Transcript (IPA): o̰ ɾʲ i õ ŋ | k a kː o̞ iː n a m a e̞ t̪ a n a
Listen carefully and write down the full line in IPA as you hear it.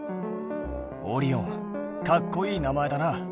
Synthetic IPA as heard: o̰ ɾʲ i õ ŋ | k a kː o̞ iː n a m a e̞ d̪ a n a